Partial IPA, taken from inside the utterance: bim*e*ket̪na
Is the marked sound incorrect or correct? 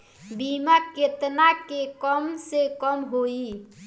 incorrect